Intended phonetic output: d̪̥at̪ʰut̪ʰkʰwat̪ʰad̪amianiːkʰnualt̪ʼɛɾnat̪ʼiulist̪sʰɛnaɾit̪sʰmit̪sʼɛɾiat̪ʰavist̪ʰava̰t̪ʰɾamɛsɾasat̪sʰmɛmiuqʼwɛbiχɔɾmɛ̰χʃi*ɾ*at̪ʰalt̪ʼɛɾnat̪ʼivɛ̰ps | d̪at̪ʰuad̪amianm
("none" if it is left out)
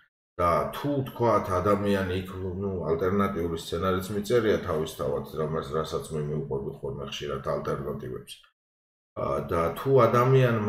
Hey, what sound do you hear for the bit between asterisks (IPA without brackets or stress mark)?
ɾ